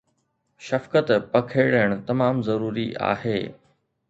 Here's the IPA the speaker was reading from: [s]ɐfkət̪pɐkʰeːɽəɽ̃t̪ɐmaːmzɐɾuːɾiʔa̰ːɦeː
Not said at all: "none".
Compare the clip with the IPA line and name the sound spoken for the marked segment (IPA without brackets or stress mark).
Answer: ʃ